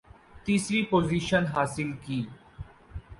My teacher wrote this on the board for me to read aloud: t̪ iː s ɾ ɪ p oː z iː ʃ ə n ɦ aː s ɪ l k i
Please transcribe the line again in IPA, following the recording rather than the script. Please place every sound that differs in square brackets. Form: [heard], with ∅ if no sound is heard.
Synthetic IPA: t̪ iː s ɾ [i] p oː z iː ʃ ə n ɦ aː s ɪ l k [iː]